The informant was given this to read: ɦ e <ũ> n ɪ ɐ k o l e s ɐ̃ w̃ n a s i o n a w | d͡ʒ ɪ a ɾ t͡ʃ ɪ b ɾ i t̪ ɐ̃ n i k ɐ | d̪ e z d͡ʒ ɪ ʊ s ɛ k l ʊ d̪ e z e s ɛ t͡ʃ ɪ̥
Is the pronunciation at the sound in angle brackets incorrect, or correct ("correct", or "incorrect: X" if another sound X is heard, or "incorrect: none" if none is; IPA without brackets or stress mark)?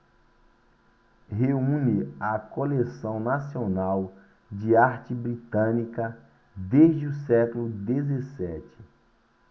correct